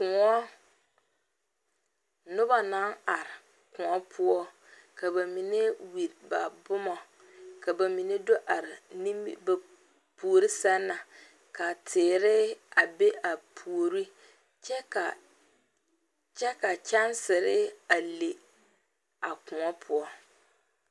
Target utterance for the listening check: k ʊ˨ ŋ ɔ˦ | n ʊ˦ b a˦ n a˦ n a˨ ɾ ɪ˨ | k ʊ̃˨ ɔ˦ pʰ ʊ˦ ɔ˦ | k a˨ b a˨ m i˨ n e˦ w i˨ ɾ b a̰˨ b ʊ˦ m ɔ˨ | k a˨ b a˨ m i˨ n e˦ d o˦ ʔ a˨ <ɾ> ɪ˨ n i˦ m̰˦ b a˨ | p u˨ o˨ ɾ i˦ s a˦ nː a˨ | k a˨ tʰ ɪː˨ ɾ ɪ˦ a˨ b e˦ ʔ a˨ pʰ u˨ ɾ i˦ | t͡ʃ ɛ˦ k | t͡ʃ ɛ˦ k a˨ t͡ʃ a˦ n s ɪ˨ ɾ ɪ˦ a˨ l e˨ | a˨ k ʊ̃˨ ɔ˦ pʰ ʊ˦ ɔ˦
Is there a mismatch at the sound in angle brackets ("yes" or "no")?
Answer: no